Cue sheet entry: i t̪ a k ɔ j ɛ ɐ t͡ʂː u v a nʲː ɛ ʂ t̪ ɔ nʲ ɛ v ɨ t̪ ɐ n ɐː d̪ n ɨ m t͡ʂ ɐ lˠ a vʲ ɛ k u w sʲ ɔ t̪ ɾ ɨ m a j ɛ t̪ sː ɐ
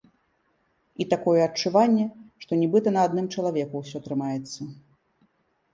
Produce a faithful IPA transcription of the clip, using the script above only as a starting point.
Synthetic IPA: i t̪ a k ɔ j ɛ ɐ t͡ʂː u v a nʲː ɛ ʂ t̪ ɔ nʲ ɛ b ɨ t̪ ɐ n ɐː d̪ n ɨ m t͡ʂ ɐ lˠ a vʲ ɛ k u w sʲ ɔ t̪ ɾ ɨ m a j ɛ t̪ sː ɐ